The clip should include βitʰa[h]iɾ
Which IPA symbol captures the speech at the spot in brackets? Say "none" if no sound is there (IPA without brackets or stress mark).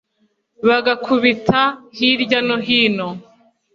h